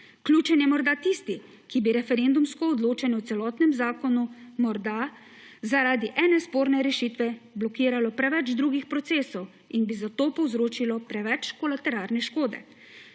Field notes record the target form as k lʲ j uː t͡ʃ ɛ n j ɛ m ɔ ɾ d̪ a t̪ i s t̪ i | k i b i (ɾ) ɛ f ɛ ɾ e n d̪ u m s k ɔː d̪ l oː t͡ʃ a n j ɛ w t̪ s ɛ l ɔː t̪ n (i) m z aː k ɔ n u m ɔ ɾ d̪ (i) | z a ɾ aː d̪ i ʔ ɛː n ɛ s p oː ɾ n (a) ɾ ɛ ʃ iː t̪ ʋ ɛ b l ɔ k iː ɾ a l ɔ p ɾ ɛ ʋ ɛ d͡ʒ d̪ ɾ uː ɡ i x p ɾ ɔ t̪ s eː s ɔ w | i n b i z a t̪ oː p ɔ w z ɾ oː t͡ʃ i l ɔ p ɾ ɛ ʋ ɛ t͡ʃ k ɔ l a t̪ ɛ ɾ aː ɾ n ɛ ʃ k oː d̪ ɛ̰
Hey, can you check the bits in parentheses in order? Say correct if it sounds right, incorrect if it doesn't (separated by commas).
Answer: correct, incorrect, incorrect, incorrect